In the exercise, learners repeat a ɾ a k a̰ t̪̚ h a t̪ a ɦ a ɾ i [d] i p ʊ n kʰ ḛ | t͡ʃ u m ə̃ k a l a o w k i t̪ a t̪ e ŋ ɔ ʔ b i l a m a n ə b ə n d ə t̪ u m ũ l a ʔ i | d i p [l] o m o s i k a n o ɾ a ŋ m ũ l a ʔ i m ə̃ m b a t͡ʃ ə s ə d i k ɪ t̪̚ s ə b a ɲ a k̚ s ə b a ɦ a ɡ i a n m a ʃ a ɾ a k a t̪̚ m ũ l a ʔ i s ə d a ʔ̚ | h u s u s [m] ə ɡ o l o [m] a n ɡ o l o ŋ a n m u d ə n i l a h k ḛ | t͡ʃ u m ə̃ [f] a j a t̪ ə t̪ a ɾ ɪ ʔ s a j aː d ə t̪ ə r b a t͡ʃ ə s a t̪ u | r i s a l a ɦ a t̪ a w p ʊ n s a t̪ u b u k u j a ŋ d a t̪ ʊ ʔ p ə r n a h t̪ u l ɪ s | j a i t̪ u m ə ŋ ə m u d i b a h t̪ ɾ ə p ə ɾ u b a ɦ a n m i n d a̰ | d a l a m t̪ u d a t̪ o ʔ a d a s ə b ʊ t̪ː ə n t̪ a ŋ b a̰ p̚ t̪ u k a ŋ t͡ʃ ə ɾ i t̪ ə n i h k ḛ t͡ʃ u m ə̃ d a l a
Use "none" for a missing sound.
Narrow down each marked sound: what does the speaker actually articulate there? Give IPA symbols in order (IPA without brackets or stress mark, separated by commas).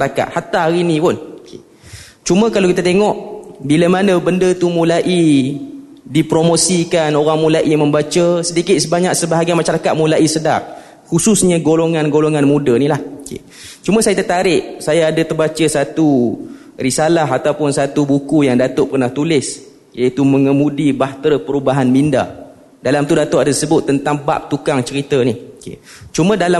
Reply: n, ɾ, ɲ, ŋ, s